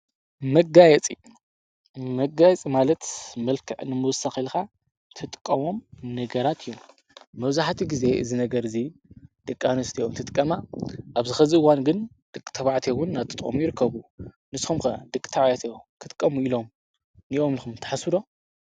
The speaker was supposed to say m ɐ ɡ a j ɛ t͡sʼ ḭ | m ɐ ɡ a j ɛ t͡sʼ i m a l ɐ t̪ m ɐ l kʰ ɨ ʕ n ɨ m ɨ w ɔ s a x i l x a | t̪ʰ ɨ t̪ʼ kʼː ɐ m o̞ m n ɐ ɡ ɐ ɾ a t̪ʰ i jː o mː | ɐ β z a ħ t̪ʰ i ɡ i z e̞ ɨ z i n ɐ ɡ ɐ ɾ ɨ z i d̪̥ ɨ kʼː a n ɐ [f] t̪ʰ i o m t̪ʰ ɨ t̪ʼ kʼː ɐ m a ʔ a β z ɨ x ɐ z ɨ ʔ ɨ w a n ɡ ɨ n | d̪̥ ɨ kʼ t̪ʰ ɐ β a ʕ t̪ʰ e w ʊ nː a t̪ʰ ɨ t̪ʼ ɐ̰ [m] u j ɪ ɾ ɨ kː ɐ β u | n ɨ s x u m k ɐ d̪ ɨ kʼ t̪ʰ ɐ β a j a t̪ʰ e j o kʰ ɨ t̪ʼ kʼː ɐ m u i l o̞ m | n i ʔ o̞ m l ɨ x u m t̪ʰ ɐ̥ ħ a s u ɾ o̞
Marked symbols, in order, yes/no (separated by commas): no, yes